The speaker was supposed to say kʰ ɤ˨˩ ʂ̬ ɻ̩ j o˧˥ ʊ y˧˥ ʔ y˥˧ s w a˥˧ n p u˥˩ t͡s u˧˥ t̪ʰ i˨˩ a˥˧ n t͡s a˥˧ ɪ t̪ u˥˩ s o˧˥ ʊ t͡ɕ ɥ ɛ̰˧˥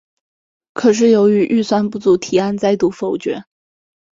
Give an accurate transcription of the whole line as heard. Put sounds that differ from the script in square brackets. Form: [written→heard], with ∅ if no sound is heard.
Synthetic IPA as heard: kʰ ɤ˨˩ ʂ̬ ɻ̩ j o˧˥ ʊ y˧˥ ʔ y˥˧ s w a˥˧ n p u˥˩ t͡s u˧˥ t̪ʰ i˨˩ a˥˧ n t͡s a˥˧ ɪ t̪ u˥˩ [s→f] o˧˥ ʊ t͡ɕ ɥ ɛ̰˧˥